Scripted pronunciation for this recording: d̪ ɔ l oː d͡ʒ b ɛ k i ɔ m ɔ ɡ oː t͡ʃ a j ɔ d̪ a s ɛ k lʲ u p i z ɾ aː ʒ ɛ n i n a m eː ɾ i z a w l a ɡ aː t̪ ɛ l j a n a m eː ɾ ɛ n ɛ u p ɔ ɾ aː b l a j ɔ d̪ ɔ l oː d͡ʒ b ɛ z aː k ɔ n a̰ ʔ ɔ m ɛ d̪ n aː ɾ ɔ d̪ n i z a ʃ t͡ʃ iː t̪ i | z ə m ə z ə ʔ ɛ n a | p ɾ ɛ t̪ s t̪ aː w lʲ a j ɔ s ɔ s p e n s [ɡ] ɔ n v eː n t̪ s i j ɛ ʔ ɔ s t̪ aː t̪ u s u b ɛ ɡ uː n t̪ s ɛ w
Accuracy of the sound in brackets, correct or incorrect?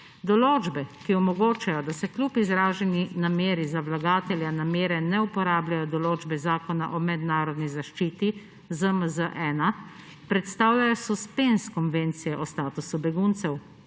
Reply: incorrect